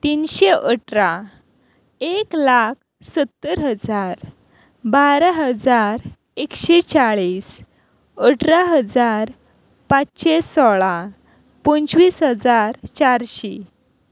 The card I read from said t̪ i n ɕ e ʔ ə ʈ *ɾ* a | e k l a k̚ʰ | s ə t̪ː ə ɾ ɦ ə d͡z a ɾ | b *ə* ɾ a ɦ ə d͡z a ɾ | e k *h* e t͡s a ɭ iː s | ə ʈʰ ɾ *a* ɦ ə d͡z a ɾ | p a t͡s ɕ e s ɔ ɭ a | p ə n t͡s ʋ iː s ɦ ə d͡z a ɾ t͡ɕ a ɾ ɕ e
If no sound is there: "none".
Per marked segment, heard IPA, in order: ɾ, a, ɕ, a

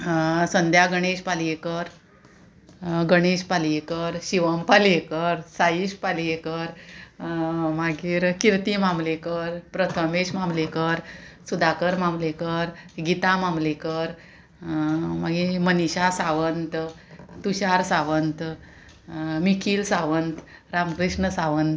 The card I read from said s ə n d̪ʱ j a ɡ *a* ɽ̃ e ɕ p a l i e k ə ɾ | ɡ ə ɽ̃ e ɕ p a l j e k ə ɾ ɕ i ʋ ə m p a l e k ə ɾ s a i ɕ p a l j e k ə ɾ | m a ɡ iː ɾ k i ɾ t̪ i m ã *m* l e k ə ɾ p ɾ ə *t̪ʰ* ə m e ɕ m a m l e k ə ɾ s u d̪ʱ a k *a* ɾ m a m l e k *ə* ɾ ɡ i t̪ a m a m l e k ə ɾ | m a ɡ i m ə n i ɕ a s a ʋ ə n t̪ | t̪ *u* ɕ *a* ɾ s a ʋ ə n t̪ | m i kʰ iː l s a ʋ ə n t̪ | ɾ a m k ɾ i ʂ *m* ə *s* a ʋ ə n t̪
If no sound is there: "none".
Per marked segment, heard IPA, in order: ə, m, t̪ʰ, ə, ə, u, a, ɳ, s

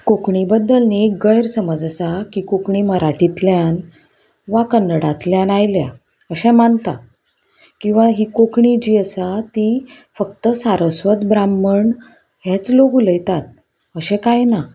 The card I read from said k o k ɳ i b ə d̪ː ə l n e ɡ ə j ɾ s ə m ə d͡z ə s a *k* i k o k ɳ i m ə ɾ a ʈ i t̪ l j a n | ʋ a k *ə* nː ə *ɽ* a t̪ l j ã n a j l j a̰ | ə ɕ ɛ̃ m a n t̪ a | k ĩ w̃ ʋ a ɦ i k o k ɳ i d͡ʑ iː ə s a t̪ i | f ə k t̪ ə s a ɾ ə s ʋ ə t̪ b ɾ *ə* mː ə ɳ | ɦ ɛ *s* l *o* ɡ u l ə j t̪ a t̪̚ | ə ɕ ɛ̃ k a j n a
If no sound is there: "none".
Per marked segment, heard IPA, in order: k, ə, ɽ, a, t͡s, o

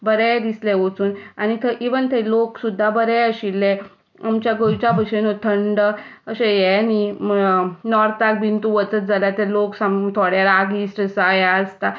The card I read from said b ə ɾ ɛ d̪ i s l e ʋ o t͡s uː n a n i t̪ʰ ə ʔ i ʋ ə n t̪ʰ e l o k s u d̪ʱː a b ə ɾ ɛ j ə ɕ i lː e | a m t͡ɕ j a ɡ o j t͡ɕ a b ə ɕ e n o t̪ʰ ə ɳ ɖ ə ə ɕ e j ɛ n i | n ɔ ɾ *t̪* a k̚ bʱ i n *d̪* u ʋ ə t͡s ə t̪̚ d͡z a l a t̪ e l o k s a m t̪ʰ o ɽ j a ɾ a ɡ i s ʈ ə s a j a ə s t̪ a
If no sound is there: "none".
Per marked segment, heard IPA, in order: t̪, t̪

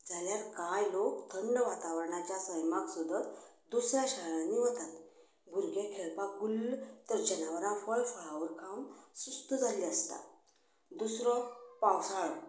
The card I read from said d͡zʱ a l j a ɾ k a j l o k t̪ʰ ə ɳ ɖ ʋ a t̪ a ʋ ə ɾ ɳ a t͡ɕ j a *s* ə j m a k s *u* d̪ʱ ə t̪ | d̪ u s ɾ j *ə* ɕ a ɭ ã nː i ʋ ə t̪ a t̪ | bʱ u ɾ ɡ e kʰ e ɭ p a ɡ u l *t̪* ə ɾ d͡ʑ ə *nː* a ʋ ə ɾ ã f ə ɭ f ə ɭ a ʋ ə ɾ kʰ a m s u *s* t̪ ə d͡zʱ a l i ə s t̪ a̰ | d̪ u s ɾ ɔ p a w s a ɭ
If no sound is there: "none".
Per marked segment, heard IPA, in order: s, u, a, t̪, n, s

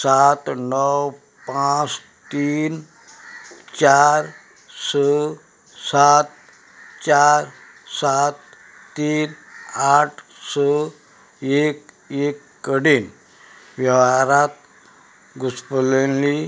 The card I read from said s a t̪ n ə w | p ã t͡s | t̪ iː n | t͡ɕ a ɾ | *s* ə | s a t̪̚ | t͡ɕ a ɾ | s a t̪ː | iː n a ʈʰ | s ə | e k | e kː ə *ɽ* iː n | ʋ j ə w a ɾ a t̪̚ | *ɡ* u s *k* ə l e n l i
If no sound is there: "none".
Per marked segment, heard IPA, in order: s, ɽ, ɡ, p

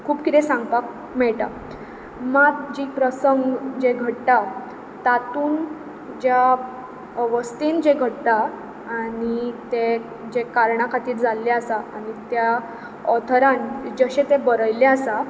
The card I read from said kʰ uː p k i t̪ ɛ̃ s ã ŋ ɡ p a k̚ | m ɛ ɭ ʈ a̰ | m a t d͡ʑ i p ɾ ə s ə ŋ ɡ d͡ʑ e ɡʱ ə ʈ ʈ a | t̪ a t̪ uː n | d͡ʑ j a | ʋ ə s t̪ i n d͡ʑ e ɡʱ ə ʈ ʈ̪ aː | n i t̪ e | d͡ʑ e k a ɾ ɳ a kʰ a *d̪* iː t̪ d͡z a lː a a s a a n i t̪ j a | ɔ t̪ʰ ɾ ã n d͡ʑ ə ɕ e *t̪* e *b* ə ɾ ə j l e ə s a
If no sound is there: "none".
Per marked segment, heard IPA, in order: t̪, t̪, b

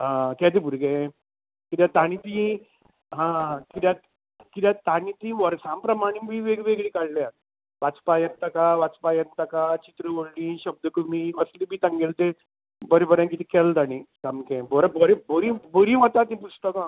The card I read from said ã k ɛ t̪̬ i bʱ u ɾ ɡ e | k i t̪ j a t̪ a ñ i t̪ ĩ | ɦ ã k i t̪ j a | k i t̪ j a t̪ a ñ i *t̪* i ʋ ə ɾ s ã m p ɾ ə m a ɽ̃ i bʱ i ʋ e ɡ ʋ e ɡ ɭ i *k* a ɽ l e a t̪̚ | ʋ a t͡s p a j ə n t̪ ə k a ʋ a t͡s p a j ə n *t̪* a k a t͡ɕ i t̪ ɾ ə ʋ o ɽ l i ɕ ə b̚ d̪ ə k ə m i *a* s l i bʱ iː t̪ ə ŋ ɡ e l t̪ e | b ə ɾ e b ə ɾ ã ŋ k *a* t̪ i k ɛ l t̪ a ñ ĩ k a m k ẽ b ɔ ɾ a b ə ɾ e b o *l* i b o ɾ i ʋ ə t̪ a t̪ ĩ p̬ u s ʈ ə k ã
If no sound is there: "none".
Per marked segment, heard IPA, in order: t̪, k, t̪, ə, i, ɾ

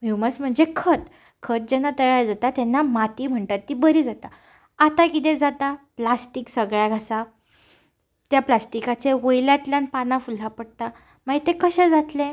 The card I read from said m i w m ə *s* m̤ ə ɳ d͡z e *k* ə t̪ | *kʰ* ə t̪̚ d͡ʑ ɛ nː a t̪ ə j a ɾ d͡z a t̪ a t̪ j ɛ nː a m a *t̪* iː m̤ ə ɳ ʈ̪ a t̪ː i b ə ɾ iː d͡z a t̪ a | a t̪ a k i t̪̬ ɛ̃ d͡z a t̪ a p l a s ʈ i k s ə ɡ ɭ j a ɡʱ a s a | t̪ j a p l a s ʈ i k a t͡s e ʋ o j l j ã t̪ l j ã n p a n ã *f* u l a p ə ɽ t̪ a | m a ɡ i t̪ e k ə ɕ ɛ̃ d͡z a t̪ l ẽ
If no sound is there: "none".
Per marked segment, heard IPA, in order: s, kʰ, kʰ, t̪, f

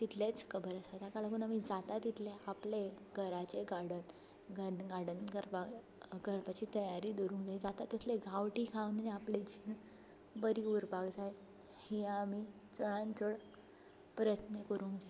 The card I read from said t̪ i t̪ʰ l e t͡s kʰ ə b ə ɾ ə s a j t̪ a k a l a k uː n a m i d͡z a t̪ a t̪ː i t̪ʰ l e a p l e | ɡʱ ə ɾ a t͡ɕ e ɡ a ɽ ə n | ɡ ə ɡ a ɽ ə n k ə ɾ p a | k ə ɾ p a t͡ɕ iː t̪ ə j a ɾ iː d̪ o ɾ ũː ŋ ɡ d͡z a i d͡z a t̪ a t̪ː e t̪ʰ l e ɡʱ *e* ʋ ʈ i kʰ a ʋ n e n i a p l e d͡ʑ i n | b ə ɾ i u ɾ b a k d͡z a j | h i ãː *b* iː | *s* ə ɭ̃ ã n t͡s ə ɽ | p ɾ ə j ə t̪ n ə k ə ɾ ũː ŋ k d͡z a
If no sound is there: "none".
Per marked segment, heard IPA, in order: a, m, t͡s

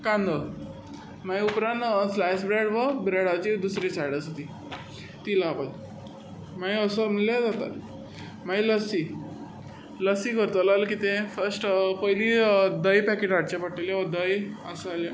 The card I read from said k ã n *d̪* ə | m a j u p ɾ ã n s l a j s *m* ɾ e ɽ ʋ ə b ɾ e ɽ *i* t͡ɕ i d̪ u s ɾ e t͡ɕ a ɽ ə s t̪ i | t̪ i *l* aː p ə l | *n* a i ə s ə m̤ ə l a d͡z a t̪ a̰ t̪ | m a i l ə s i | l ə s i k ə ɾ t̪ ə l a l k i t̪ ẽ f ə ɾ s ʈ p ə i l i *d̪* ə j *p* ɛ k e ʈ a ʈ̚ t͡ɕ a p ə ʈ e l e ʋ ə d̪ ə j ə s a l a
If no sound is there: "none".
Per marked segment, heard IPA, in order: d̪, b, a, l, m, d̪, p

